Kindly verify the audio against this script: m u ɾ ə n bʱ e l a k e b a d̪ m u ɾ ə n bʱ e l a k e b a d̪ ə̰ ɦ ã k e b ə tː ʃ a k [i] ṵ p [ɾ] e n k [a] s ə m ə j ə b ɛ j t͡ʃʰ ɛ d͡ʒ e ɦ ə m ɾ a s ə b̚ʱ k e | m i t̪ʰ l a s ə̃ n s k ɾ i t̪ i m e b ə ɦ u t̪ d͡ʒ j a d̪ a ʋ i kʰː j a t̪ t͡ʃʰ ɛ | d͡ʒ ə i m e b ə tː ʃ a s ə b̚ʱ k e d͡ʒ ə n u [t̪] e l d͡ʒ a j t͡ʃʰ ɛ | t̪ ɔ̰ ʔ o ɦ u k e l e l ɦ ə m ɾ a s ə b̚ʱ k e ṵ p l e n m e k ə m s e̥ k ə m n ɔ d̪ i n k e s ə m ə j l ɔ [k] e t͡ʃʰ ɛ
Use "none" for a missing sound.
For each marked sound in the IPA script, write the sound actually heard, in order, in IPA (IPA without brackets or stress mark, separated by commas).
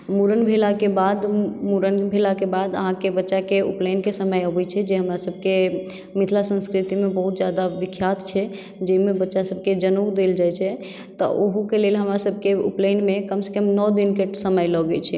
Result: e, l, e, d̪, ɡ